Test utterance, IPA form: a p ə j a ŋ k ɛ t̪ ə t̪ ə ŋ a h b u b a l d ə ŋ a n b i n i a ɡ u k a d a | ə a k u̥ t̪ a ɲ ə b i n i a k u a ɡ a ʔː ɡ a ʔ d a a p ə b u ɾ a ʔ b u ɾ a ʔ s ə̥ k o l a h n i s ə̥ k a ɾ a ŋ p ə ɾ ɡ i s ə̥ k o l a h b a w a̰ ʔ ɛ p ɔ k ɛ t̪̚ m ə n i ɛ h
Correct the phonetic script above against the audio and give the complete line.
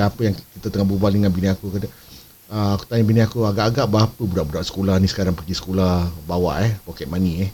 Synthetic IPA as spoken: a p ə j a ŋ k i t̪ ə t̪ ə ŋ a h b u b a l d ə ŋ a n b i n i a k u k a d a | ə a k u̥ t̪ a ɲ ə b i n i a k u a ɡ a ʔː ɡ a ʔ b a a p ə b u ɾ a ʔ b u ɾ a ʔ s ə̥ k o l a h n i s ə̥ k a ɾ a ŋ p ə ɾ ɡ i s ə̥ k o l a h b a w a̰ ʔ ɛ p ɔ k ɛ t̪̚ m a n i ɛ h